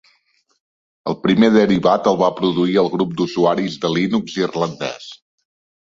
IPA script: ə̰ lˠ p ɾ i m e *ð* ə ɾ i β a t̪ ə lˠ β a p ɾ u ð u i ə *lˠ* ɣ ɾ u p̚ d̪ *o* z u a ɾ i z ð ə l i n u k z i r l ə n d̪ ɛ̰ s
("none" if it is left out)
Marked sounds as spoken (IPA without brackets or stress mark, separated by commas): ð, lˠ, u